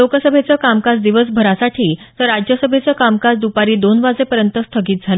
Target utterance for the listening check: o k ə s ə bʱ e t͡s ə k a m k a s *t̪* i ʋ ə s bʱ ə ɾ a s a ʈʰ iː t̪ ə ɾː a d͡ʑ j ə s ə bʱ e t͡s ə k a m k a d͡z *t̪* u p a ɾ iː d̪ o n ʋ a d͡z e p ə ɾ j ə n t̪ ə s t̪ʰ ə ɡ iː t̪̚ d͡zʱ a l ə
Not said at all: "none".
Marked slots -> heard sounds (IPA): d̪, d̪

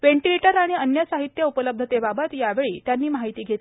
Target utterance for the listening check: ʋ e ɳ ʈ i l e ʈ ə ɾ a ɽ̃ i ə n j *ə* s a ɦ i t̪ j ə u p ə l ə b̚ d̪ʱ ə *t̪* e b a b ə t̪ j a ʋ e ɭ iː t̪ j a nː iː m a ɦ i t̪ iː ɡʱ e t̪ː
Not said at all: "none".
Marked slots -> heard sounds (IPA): ə, t̪

